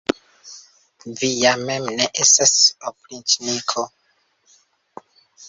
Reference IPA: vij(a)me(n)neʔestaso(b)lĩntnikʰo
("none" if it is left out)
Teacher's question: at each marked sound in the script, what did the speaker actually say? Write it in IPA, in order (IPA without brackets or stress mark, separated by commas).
a, m, p